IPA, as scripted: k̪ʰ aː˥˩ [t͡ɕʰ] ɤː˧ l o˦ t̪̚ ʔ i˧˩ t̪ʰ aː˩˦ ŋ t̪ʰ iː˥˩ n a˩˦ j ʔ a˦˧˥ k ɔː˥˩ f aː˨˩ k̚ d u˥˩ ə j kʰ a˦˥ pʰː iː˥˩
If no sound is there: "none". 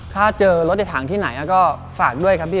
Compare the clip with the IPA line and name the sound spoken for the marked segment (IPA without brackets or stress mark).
t͡ɕ